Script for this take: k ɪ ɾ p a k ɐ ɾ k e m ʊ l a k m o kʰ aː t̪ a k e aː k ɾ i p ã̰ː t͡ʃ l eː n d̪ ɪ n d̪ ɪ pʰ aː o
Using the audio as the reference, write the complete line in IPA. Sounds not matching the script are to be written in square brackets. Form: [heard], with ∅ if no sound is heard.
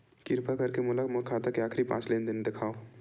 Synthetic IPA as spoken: k ɪ ɾ p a k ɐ ɾ k e m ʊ l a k m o kʰ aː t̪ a k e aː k ɾ i p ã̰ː t͡ʃ l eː n d̪ ɪ n d̪ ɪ [kʰ] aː o